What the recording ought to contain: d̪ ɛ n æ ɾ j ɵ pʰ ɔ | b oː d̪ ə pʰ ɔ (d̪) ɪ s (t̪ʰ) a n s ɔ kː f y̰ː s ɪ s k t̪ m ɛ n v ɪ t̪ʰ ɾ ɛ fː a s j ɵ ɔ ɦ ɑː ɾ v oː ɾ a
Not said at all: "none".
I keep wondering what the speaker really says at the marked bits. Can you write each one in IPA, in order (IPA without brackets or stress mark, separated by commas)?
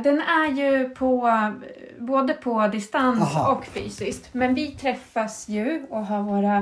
d̪, t̪